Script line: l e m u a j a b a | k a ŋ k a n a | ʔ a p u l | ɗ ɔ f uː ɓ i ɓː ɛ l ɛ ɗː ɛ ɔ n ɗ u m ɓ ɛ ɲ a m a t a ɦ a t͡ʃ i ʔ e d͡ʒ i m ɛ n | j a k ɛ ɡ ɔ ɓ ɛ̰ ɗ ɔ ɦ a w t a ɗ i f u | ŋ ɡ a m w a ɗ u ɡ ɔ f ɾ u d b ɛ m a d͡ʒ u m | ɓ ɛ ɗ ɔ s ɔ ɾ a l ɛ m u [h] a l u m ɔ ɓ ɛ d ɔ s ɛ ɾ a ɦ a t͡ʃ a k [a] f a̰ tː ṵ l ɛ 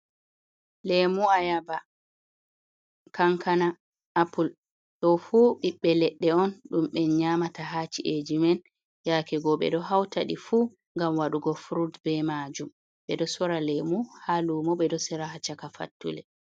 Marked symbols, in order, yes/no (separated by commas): yes, yes